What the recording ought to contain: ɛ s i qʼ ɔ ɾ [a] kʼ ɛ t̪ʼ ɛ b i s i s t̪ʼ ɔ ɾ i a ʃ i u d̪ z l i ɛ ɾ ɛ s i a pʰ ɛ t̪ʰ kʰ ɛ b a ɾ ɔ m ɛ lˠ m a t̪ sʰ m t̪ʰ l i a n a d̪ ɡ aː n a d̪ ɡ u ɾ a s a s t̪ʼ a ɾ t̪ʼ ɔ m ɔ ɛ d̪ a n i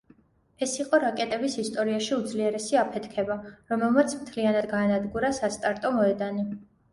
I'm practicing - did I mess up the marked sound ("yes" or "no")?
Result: no